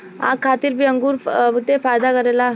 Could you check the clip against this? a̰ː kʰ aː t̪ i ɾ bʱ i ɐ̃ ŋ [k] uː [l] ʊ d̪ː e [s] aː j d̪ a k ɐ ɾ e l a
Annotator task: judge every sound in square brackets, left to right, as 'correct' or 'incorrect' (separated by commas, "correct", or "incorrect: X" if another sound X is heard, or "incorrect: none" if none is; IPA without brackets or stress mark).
incorrect: ɡ, incorrect: ɾ, incorrect: f